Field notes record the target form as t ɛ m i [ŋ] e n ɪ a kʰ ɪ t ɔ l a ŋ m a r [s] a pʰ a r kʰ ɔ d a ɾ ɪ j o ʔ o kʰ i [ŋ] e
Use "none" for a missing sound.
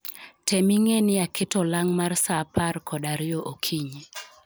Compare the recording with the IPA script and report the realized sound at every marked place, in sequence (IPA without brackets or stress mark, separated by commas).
ŋ, s, ɲ